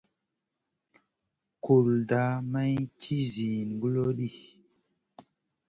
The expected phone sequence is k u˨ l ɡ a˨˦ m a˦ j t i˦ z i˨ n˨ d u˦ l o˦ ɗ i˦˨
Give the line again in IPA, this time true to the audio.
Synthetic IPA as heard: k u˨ l d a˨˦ m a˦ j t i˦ z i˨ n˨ ɡ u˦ l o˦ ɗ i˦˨